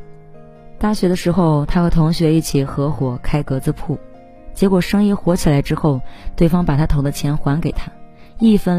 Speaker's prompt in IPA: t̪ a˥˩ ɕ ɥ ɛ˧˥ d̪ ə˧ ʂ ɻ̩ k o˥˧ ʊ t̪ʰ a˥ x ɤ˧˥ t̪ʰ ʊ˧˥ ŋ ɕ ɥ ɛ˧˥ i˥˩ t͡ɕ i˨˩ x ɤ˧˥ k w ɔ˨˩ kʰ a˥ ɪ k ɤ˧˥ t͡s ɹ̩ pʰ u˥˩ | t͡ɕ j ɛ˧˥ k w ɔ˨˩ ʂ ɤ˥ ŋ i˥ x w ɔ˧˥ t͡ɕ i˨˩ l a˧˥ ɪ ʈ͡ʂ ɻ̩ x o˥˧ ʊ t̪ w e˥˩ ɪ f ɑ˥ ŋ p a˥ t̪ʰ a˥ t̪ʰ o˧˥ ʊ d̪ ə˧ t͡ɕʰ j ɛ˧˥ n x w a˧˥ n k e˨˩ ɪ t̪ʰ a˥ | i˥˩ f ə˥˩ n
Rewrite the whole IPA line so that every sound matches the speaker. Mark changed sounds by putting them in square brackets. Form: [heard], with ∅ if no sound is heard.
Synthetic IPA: t̪ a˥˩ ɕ ɥ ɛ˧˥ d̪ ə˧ ʂ ɻ̩ [x] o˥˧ ʊ t̪ʰ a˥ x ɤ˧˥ t̪ʰ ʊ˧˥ ŋ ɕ ɥ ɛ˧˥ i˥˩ [t͡ɕʰ] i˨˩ x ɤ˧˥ [x] w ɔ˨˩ kʰ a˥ ɪ k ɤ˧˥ t͡s ɹ̩ pʰ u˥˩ | t͡ɕ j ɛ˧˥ k w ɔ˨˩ ʂ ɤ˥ ŋ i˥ x w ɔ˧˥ [t͡ɕʰ] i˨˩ l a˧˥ ɪ ʈ͡ʂ ɻ̩ x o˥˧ ʊ t̪ w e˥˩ ɪ f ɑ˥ ŋ p [a˨˩] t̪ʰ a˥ t̪ʰ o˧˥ ʊ d̪ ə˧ t͡ɕʰ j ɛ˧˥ n x w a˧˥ n k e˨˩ ɪ t̪ʰ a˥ | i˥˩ f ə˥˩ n